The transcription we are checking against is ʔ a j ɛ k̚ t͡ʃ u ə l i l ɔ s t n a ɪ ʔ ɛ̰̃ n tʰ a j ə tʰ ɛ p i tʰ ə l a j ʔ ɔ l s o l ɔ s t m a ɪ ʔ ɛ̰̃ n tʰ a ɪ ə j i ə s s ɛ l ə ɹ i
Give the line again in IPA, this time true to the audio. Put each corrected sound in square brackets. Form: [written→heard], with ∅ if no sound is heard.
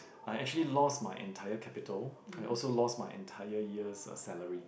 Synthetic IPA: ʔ a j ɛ k̚ t͡ʃ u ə l i l ɔ s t [n→m] a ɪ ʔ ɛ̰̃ n tʰ a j ə [tʰ→kʰ] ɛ p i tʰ ə l a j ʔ ɔ l s o l ɔ s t m a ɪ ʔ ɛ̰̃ n tʰ a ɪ ə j i ə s s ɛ l ə ɹ i